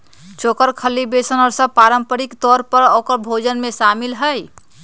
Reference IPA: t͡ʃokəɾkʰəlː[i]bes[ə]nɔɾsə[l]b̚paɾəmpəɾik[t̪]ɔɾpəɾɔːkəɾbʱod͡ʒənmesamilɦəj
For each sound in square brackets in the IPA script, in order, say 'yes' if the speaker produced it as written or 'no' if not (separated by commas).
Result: yes, yes, no, yes